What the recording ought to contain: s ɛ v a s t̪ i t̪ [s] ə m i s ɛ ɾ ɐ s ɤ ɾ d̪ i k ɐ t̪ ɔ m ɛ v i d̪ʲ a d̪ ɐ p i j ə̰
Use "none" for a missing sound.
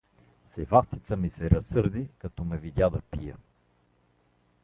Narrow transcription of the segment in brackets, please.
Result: s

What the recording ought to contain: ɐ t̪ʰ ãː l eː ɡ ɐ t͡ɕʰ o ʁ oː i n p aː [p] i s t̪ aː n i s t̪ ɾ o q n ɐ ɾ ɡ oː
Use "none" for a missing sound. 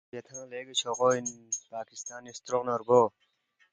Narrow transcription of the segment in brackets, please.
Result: k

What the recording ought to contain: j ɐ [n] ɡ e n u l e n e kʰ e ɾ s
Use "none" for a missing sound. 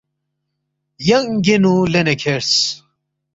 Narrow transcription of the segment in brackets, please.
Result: ŋ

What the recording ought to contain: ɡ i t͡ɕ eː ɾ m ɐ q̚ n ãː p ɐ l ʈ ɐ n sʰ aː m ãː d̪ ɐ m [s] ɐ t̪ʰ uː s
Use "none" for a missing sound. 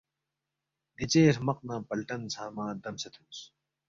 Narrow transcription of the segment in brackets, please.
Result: s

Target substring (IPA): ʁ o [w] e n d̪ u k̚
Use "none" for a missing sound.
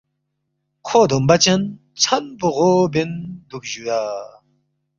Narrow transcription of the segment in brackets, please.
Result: b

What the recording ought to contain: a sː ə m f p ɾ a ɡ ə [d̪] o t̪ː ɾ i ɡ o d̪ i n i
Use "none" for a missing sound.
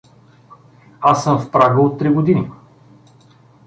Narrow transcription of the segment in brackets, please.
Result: none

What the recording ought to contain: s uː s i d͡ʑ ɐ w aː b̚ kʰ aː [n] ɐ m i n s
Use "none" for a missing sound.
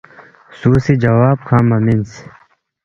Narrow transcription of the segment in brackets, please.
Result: m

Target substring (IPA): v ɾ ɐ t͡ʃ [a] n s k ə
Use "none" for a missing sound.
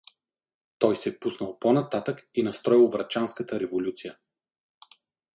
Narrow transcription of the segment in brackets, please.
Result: a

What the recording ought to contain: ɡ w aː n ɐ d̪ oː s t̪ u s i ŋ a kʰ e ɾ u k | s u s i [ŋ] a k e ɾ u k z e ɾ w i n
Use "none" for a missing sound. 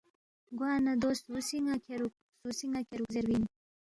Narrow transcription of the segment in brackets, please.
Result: ŋ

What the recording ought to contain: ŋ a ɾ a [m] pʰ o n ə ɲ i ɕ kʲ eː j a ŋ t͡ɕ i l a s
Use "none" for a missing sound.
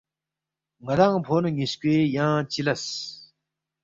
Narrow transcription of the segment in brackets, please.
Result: ŋ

